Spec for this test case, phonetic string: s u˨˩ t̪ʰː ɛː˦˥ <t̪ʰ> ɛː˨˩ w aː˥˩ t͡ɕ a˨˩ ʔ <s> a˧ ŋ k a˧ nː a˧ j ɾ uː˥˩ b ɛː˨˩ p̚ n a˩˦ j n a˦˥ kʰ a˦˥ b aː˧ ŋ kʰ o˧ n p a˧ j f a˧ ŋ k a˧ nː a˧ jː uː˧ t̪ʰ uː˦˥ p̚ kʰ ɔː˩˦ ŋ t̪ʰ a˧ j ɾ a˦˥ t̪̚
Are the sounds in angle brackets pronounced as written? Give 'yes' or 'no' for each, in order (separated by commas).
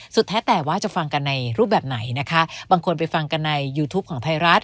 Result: no, no